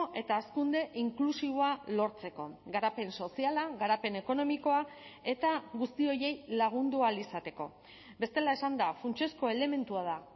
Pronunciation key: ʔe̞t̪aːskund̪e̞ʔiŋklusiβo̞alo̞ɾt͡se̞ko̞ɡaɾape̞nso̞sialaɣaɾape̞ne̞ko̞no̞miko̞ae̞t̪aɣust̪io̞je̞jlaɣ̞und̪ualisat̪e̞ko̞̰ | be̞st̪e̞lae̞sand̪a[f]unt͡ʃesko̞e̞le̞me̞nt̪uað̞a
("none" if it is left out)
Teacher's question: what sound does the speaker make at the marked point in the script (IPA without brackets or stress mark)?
f